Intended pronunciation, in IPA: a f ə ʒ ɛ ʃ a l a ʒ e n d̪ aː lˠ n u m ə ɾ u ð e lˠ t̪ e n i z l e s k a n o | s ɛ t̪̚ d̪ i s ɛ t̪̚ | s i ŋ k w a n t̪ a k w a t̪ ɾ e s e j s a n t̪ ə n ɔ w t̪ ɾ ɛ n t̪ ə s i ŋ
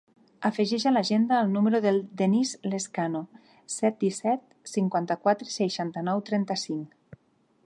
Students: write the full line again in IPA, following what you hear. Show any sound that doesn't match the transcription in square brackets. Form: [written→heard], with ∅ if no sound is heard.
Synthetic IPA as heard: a f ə ʒ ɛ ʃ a l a ʒ e n d̪ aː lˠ n u m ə ɾ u ð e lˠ [t̪→d̪] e n i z l e s k a n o | s ɛ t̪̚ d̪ i s ɛ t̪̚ | s i ŋ k w a n t̪ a k w a t̪ ɾ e s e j [s→ʃ] a n t̪ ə n ɔ w t̪ ɾ ɛ n t̪ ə s i ŋ